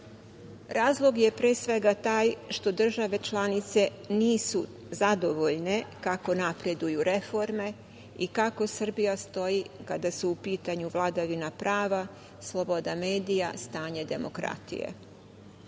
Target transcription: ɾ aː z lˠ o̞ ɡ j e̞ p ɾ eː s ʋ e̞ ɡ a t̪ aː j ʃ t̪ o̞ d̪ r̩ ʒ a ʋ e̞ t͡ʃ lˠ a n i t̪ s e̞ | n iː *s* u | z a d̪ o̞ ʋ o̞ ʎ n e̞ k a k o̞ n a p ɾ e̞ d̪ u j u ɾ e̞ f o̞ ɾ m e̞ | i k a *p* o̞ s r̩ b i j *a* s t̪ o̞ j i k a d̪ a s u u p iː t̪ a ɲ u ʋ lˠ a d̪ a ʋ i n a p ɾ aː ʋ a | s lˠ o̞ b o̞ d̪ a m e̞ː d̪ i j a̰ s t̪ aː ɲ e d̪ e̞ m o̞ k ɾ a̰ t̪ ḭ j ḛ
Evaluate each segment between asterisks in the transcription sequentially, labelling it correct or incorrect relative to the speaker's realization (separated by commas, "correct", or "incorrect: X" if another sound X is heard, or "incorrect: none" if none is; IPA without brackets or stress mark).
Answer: correct, incorrect: k, correct